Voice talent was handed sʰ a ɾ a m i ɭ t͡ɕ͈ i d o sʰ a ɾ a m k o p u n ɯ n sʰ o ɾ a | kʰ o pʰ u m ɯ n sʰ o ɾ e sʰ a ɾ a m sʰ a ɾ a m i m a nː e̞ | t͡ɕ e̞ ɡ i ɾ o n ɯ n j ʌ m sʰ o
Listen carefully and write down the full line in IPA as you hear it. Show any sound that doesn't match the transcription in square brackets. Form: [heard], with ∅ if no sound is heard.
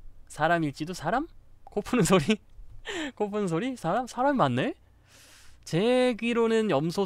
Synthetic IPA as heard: sʰ a ɾ a m i ɭ t͡ɕ͈ i d o sʰ a ɾ a m k o [pʰ] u n ɯ n sʰ o ɾ [i] | [k] o pʰ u [n] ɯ n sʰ o ɾ [i] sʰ a ɾ a m sʰ a ɾ a m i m a nː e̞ | t͡ɕ e̞ ɡ i ɾ o n ɯ n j ʌ m sʰ o

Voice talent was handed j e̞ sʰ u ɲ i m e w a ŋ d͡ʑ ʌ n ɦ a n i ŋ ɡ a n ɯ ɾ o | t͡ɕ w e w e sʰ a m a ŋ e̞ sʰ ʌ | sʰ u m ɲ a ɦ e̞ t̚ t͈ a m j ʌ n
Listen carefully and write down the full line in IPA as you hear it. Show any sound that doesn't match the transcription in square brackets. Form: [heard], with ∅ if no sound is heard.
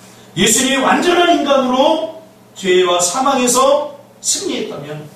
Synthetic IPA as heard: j e̞ sʰ u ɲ i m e w a [n] d͡ʑ ʌ n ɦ a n i [n] ɡ a n ɯ ɾ o | t͡ɕ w e w [a] sʰ a m a ŋ e̞ sʰ ʌ | sʰ [ɯ] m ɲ [i] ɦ e̞ t̚ t͈ a m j ʌ n

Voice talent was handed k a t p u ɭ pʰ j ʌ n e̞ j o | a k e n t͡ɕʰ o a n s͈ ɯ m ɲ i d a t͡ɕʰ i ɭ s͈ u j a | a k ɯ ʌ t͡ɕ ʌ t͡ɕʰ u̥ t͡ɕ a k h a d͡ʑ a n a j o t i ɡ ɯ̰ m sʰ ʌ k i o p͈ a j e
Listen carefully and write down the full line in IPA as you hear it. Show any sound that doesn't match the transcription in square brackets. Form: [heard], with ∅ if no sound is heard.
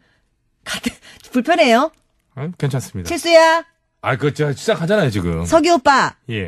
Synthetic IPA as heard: k a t p u ɭ pʰ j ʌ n e̞ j o | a k e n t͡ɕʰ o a n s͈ ɯ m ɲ i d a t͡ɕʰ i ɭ s͈ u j a | a k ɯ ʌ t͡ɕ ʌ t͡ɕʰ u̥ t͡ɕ a k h a d͡ʑ a n a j o [t͡ɕ] i ɡ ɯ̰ m sʰ ʌ [ɡ] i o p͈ a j e

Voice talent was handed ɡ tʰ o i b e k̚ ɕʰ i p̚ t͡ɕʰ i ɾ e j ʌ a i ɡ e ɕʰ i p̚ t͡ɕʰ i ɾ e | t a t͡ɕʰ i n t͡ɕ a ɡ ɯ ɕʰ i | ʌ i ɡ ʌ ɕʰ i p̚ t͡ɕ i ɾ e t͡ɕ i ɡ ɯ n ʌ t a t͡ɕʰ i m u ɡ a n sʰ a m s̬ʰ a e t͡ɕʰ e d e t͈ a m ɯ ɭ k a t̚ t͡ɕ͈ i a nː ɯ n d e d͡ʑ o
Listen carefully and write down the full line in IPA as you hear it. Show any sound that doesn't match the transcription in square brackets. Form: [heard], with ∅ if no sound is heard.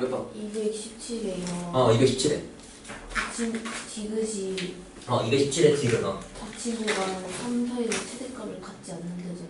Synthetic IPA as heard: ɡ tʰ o i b e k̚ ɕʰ i p̚ t͡ɕʰ i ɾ e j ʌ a i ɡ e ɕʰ i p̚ t͡ɕʰ i ɾ e | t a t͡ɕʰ i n t͡ɕ [i] ɡ ɯ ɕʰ i | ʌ i ɡ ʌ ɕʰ i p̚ [t͡ɕʰ] i ɾ e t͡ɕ i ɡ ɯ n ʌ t a t͡ɕʰ i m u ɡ a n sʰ a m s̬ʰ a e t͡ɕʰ e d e [k͈] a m ɯ ɭ k a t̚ t͡ɕ͈ i a nː ɯ n d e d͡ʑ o

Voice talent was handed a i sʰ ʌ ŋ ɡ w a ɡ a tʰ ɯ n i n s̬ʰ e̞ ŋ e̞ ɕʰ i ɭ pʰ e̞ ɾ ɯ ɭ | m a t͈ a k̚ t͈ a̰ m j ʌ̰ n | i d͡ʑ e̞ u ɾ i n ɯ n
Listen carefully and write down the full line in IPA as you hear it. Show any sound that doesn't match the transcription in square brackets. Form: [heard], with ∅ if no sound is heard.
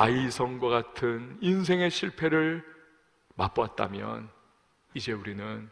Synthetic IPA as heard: a i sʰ ʌ ŋ ɡ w a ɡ a tʰ ɯ n i n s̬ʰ e̞ ŋ e̞ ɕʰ i ɭ pʰ e̞ ɾ ɯ ɭ | m a [p͈] a [t̚] t͈ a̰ m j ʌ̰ n | i d͡ʑ e̞ u ɾ i n ɯ n

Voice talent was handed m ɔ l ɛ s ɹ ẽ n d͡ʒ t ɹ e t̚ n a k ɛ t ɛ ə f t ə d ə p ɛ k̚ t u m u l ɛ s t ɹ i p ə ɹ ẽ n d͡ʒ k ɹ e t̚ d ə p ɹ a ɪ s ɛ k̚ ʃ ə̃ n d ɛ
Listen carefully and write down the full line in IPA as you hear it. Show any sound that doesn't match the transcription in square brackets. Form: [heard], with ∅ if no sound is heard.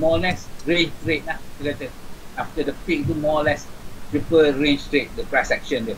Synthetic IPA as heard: m ɔ l ɛ s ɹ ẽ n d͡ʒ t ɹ e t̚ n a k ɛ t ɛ [a] f t ə d ə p [i] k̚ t u m [ɔ] l ɛ s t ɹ i p ə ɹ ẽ n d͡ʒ [t] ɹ e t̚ d ə p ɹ a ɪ s ɛ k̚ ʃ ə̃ n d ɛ

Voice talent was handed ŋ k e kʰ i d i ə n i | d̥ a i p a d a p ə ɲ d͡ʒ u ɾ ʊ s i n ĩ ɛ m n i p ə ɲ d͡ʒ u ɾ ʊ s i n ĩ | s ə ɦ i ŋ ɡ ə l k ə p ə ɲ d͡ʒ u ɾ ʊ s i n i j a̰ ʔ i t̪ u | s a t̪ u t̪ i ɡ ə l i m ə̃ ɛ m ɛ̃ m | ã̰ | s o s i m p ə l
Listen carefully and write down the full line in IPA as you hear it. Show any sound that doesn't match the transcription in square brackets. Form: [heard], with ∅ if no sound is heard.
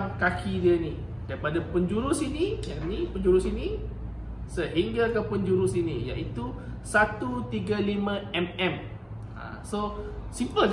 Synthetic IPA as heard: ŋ k [a] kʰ i d i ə n i | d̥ a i p a d a p ə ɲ d͡ʒ u ɾ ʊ s i n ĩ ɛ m n i p ə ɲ d͡ʒ u ɾ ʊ s i n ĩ | s ə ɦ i ŋ ɡ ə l k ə p ə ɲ d͡ʒ u ɾ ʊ s i n i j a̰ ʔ i t̪ u | s a t̪ u t̪ i ɡ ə l i m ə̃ ɛ m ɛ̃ m | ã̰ | s o s i m p ə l

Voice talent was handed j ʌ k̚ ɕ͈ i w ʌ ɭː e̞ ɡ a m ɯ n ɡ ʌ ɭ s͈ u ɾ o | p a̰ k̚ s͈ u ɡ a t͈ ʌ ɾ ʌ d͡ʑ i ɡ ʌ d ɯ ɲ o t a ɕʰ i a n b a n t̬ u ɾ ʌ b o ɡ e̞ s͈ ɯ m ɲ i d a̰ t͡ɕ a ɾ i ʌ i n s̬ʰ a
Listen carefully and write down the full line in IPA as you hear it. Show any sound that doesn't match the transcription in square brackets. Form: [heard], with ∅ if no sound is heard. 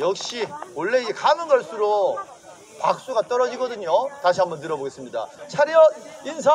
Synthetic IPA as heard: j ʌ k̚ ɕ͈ i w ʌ ɭː e̞ [k] a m ɯ n ɡ ʌ ɭ s͈ u ɾ o | p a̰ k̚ s͈ u ɡ a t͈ ʌ ɾ ʌ d͡ʑ i ɡ ʌ d ɯ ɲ o t a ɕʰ i a [m] b [ʌ] n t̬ [ɯ] ɾ ʌ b o ɡ e̞ s͈ ɯ m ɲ i d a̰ [t͡ɕʰ] a ɾ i ʌ i n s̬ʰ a

